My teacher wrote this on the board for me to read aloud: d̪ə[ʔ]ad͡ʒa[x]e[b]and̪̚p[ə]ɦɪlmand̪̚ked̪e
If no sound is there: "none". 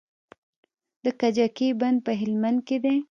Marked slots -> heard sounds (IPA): k, k, b, ə

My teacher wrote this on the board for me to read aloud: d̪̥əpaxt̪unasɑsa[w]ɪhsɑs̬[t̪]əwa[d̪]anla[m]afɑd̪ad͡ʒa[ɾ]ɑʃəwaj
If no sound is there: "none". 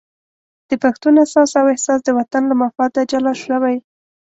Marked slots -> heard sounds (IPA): w, d̪, t̪, m, l

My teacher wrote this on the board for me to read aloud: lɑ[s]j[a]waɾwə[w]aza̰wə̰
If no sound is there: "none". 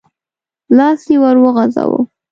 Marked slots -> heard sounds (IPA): s, e, ɣ

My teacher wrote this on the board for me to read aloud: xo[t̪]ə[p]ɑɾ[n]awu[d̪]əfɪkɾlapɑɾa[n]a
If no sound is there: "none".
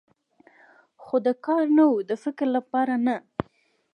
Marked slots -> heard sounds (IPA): d̪, k, n, d̪, n

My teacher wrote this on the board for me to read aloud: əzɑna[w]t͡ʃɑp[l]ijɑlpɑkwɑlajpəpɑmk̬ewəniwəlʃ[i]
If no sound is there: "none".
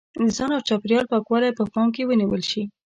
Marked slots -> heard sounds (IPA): w, ɾ, i

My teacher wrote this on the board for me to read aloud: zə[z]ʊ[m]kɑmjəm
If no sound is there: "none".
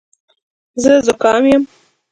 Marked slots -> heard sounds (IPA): z, none

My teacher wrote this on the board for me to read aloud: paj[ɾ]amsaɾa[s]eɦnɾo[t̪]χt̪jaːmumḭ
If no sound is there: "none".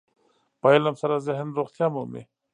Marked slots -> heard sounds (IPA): l, z, none

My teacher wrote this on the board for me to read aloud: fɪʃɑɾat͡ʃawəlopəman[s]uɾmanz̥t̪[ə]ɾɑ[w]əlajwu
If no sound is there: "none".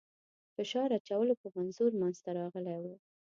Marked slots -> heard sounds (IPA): z, a, ɣ

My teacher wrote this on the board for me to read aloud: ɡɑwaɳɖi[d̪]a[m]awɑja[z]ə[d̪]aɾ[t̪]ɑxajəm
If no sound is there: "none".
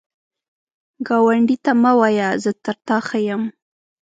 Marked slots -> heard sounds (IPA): t̪, m, z, t̪, t̪

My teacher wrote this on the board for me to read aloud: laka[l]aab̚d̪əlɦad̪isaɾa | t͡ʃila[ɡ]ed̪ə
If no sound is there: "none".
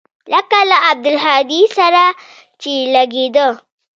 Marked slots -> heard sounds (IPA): l, ɡ

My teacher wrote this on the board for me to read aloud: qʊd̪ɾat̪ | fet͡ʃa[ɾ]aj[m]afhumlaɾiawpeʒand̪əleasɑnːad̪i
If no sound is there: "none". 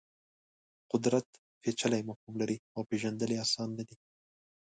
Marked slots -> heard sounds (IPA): l, m

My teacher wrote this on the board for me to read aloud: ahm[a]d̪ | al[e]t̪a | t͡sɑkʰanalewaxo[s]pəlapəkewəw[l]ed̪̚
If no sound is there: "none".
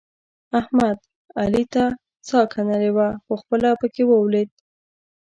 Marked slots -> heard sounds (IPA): a, i, x, l

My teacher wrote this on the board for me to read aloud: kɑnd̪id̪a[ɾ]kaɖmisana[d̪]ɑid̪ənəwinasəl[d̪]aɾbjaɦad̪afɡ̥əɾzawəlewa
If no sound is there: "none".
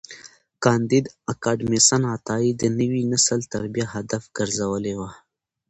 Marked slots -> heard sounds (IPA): none, t̪, t̪

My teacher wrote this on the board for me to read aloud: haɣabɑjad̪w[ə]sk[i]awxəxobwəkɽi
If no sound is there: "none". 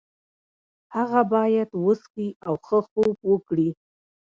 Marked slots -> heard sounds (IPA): ə, i

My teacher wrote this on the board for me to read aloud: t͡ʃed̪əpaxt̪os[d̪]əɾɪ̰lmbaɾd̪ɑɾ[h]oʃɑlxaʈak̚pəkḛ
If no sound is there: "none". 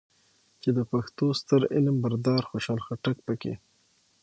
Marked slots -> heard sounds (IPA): t̪, x

